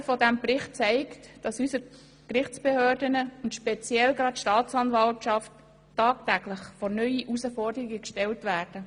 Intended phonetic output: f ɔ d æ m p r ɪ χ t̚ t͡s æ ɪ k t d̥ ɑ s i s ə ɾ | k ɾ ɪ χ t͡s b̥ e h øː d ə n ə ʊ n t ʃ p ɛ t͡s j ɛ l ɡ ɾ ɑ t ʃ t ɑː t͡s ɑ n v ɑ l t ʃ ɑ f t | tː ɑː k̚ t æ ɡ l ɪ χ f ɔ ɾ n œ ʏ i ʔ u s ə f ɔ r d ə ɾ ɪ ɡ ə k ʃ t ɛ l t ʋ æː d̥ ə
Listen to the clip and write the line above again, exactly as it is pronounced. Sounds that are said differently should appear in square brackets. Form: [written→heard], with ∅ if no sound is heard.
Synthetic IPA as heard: f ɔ d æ m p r ɪ χ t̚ t͡s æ ɪ k t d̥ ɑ s [i→y] s ə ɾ | k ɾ ɪ χ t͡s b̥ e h øː d ə n ə ʊ n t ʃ p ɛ t͡s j ɛ l ɡ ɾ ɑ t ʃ t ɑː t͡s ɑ n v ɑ l t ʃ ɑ f t | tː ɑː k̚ t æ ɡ l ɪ χ f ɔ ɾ n œ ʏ i ʔ u s ə f ɔ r d ə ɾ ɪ ɡ ə k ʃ t ɛ l t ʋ æː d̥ ə

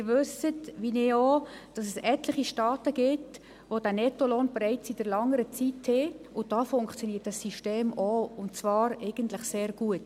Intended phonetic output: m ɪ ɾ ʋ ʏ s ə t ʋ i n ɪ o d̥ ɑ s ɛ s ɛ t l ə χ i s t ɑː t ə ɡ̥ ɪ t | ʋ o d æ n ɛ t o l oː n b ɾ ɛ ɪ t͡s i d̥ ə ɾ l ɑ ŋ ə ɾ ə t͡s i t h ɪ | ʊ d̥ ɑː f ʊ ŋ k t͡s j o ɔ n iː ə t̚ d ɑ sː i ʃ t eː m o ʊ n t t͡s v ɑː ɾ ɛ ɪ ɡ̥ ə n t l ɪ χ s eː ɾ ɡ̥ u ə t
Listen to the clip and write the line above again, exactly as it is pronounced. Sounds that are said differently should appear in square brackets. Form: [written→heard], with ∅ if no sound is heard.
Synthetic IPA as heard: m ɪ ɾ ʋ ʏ s ə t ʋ i n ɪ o d̥ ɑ s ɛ s ɛ t l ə χ i [s→ʃ] t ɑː t ə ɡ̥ ɪ t | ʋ o d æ n ɛ t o l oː n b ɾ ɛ ɪ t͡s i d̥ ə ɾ l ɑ ŋ ə ɾ ə t͡s i t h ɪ | ʊ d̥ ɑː f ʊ ŋ k t͡s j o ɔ n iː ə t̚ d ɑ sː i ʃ t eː m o ʊ n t t͡s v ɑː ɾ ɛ ɪ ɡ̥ ə n t l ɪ χ s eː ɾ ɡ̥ u ə t

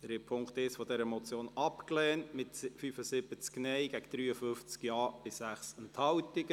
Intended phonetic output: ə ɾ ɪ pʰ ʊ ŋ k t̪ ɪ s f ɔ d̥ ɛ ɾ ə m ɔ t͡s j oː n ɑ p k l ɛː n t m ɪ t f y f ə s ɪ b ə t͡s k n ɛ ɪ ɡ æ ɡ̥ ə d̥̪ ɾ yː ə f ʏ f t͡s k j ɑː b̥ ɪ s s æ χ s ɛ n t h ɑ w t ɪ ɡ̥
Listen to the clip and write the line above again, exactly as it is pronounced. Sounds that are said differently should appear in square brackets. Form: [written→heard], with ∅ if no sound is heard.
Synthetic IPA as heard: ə ɾ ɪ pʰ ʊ ŋ k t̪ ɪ s f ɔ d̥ ɛ ɾ ə m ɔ t͡s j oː n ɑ p k l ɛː n t m ɪ t f y f ə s ɪ b ə t͡s k n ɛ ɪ ɡ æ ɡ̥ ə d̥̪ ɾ yː ə f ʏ f t͡s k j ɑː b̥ ɪ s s æ χ s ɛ n t h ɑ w t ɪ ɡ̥

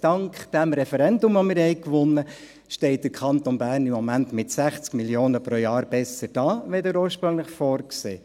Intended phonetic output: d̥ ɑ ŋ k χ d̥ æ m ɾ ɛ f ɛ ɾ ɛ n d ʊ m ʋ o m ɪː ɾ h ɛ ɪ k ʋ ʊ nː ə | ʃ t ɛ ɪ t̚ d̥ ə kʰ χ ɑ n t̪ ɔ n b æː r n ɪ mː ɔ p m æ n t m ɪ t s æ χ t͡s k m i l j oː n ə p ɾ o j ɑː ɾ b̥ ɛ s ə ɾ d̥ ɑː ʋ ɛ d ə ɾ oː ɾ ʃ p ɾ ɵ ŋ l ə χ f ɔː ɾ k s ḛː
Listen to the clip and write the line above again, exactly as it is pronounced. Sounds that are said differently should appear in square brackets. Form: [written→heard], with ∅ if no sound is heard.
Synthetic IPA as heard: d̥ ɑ ŋ k χ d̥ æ m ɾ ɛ f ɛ ɾ ɛ n d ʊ m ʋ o m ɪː ɾ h ɛ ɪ k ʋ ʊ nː ə | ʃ t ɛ ɪ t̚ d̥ ə kʰ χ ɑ n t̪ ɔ n b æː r n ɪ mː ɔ [p→∅] m æ n t m ɪ t s æ χ t͡s k m i l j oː n ə p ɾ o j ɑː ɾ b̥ ɛ s ə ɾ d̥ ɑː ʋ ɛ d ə ɾ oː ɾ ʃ p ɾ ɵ ŋ l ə χ f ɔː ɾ k s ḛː

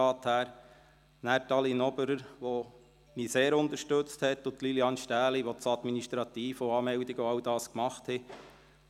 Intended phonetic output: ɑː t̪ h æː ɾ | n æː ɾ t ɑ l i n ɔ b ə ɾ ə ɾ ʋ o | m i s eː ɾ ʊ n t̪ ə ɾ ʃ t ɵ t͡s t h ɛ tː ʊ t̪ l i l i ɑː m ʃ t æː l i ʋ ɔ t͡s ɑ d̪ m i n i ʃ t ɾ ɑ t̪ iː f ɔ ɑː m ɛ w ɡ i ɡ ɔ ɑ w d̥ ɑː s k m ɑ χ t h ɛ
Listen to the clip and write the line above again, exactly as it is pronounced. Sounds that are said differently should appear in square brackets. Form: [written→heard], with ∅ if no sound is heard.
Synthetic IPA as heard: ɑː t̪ h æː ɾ | n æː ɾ t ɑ l i n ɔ b ə ɾ ə ɾ ʋ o | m i s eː ɾ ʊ n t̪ ə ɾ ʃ t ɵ t͡s t h ɛ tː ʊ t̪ l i l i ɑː [m→n] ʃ t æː l i ʋ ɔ t͡s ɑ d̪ m i n i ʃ t ɾ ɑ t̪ iː f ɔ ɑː m ɛ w [ɡ→d] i ɡ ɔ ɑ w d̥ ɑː s k m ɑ χ t h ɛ

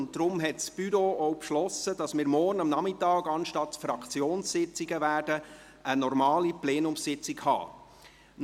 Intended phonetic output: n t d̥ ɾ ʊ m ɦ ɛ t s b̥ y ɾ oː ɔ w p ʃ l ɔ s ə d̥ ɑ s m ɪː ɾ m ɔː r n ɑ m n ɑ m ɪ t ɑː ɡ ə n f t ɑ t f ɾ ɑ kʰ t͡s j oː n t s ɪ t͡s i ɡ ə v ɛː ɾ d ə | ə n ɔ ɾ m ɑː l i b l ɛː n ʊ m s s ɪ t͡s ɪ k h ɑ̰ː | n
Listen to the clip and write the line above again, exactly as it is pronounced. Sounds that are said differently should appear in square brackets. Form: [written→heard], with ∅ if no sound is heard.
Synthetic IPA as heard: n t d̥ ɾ ʊ m ɦ ɛ t s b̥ y ɾ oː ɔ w p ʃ l ɔ s ə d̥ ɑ s m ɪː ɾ m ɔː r n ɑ m n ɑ m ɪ t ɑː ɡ [ə→ɑ] n [f→ʃ] t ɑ t f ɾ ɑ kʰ t͡s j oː n [t→s] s ɪ t͡s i ɡ ə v [ɛː→æː] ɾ d ə | ə n ɔ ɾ m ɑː l i [b→p] l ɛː n ʊ m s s ɪ t͡s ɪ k h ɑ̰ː | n

